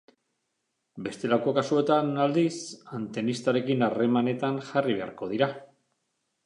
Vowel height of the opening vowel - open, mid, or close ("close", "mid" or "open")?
mid